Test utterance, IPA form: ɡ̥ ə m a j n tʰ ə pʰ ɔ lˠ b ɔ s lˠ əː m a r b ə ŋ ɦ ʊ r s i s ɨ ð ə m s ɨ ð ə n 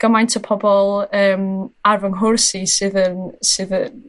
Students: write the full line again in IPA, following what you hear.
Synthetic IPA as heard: ɡ̥ ə m a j n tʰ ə pʰ ɔ b ɔ lˠ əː m a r v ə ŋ ɦ ʊ r s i s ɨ ð ə n s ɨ ð ə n

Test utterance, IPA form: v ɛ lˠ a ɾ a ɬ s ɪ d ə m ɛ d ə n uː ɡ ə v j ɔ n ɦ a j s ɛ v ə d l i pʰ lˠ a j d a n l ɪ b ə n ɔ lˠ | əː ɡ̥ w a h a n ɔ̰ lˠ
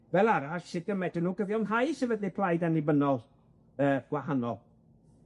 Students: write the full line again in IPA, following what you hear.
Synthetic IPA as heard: v ɛ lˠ a ɾ a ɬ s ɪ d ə m ɛ d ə n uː ɡ ə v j ɔ n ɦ a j s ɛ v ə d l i pʰ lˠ a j d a n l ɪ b ə n ɔ lˠ | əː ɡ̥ w a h a n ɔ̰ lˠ

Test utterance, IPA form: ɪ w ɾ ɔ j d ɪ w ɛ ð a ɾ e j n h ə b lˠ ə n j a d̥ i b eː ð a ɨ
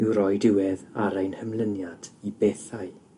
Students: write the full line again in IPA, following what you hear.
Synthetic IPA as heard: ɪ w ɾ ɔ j d ɪ w ɛ ð a ɾ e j n h ə m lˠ ə n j a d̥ i b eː θ a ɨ

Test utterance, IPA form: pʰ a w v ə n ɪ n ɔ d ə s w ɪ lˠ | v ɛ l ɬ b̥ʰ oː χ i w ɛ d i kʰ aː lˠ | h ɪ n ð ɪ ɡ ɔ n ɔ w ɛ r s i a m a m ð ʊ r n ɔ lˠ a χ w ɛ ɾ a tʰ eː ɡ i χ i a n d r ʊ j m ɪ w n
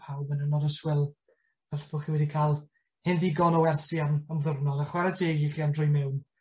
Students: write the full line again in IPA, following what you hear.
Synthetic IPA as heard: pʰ a w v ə n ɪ n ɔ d ə s w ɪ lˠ | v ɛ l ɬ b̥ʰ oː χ i w ɛ d i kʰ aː lˠ | h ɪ n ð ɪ ɡ ɔ n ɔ w ɛ r s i a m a m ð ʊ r n ɔ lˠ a χ w ɛ ɾ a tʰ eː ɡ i χ i a n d r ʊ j m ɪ w n

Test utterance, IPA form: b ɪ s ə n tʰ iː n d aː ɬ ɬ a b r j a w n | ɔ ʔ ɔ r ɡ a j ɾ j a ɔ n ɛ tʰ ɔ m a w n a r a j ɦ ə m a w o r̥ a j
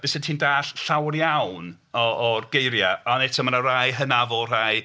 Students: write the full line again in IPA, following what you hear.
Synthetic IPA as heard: b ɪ s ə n tʰ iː n d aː ɬ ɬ a w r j a w n | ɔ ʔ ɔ r ɡ e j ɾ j a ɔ n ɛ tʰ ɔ m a n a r a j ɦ ə n a v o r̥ a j

